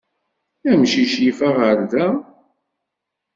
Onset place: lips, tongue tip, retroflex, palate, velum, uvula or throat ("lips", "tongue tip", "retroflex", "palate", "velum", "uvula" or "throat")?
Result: lips